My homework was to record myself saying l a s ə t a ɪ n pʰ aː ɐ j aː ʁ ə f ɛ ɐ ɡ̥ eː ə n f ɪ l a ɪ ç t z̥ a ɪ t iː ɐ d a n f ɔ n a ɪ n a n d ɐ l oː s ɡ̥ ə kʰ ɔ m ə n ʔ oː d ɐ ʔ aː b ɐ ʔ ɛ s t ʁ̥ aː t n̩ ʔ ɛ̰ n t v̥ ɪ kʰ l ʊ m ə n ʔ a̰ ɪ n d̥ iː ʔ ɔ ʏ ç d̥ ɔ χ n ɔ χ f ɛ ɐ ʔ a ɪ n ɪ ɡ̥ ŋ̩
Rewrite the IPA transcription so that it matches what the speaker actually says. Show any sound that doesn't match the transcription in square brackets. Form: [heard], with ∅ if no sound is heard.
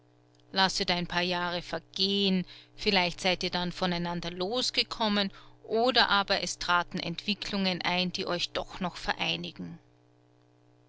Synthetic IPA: l a s ə t a ɪ n pʰ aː ɐ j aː ʁ ə f ɛ ɐ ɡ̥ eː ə n f ɪ l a ɪ ç t z̥ a ɪ t iː ɐ d a n f ɔ n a ɪ n a n d ɐ l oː s ɡ̥ ə kʰ ɔ m ə n ʔ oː d ɐ ʔ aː b ɐ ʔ ɛ s t ʁ̥ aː t n̩ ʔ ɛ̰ n t v̥ ɪ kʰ l ʊ [ŋ] ə n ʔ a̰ ɪ n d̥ iː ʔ ɔ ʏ ç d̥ ɔ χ n ɔ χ f ɛ ɐ ʔ a ɪ n ɪ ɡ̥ ŋ̩